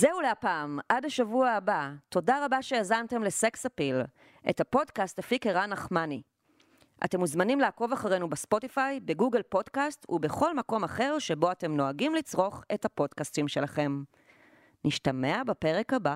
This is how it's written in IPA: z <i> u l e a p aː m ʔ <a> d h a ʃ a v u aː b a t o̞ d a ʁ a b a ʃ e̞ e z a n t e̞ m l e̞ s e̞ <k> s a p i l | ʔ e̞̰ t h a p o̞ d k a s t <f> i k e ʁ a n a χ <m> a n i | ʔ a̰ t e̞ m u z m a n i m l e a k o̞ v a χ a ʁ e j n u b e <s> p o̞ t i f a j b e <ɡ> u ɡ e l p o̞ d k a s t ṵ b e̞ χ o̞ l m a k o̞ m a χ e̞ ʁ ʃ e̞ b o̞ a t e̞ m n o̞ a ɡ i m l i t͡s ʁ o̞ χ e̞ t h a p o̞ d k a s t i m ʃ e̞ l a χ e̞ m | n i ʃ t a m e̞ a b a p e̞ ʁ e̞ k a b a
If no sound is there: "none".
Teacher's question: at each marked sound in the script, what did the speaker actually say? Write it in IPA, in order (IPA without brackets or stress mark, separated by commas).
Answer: e, a, k, f, m, s, ɡ